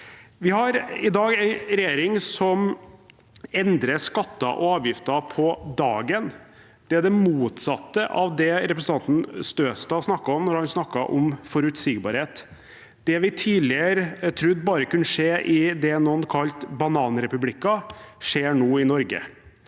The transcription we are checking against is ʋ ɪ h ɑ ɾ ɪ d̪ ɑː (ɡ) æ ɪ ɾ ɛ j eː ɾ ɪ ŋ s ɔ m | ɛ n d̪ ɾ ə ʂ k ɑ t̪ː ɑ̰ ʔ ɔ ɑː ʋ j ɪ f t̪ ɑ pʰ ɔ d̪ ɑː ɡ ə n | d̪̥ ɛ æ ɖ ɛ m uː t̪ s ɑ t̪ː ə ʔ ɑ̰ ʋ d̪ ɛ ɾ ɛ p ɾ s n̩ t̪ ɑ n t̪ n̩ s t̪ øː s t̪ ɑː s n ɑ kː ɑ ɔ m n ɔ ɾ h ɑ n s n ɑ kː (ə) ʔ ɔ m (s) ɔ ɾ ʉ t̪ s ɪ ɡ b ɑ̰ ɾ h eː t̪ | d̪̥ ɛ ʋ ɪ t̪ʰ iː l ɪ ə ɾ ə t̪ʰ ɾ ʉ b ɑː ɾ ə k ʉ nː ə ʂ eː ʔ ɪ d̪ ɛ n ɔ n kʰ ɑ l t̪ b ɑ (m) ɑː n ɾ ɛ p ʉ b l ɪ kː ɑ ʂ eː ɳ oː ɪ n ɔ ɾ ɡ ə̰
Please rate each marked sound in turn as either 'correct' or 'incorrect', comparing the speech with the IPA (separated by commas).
correct, incorrect, incorrect, incorrect